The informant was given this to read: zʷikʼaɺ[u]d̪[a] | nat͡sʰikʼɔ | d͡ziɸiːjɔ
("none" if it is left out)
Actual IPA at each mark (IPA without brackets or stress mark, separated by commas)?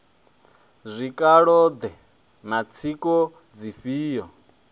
ɔ, ɛ